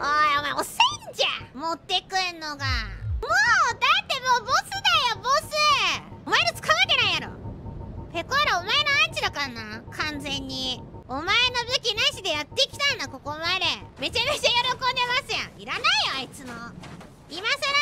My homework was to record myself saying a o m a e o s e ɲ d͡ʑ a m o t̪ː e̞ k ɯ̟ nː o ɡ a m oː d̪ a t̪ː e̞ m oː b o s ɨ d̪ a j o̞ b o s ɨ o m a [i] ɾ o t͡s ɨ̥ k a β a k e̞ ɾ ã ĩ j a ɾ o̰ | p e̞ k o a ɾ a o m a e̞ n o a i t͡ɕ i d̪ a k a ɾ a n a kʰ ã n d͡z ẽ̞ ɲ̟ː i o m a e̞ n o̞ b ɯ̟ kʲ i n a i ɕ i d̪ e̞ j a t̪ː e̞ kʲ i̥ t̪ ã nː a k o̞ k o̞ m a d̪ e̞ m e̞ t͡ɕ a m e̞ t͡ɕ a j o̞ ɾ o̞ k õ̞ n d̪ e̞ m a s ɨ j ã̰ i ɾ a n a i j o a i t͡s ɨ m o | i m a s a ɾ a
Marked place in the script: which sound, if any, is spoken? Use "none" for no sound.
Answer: e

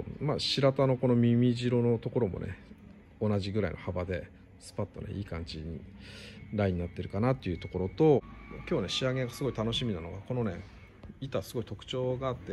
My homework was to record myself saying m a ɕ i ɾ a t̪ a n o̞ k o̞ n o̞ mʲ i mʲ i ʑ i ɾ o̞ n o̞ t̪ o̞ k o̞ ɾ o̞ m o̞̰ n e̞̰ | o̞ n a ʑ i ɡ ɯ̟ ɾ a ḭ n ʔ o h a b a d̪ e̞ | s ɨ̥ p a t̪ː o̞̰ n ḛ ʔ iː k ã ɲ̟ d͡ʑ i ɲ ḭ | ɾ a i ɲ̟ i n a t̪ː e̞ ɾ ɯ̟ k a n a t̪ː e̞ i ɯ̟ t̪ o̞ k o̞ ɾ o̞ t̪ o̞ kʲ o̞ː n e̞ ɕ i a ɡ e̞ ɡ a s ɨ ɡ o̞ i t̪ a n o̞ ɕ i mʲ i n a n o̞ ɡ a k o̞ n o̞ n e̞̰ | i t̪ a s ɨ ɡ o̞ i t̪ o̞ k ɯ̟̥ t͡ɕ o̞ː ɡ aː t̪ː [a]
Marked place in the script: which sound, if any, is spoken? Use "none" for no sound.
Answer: e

